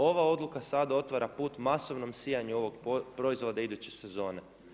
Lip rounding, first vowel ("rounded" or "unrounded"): rounded